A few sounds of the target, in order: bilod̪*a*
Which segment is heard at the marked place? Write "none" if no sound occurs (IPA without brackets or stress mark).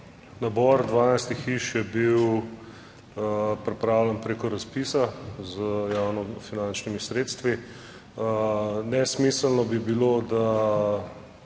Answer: a